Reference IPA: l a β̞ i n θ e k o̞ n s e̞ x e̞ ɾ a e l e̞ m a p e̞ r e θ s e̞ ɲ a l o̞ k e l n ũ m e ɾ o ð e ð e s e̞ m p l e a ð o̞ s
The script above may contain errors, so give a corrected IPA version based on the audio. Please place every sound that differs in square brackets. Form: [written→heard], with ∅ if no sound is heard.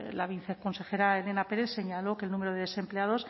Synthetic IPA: l a β̞ i n θ e k o̞ n s e̞ x e̞ ɾ a e l e̞ [m→n] a p e̞ [r→ɾ] e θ s e̞ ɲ a l o̞ k e l n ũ m e ɾ o ð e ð e s e̞ m p l e a ð o̞ s